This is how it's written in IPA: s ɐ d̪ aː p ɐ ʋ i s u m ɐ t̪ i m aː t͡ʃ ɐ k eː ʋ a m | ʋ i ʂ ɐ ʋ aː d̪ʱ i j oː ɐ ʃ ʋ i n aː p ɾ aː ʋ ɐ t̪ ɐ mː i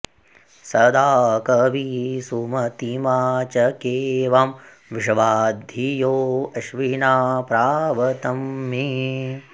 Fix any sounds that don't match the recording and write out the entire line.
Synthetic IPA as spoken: s ɐ d̪ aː k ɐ ʋ i s u m ɐ t̪ i m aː t͡ʃ ɐ k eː ʋ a m | ʋ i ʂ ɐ ʋ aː d̪ʱ i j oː ɐ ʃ ʋ i n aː p ɾ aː ʋ ɐ t̪ ɐ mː i